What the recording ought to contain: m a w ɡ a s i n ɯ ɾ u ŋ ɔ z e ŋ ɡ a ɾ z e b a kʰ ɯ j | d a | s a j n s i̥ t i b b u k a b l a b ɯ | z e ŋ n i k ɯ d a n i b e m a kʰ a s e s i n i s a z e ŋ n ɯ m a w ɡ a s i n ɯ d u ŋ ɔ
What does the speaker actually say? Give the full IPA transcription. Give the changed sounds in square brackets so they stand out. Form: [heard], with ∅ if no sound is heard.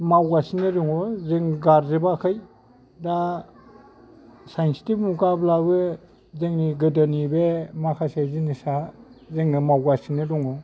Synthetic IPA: m a w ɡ a s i n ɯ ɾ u ŋ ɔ z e ŋ ɡ a ɾ z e b a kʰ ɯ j | d a | s a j n s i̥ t i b [m] u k a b l a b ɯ | z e ŋ n i [ɡ] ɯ d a n i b e m a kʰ a s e [z] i n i s a z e ŋ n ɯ m a w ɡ a s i n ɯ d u ŋ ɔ